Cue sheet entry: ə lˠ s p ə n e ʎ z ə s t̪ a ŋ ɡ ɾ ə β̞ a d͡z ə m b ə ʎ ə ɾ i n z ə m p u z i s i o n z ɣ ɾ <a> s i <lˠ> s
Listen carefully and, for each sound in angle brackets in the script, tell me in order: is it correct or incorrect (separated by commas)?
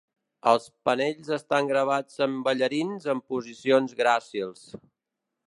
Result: correct, correct